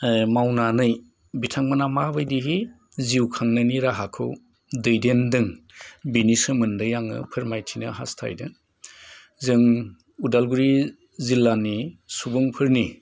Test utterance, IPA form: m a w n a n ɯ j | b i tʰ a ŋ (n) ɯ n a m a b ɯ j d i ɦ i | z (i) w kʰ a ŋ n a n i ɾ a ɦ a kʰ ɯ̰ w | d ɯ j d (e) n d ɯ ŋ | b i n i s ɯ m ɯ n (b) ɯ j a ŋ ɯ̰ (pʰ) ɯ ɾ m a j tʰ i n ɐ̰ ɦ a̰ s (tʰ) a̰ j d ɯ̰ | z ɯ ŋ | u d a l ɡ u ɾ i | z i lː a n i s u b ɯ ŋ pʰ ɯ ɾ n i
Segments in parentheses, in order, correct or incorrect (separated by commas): incorrect, correct, correct, incorrect, correct, correct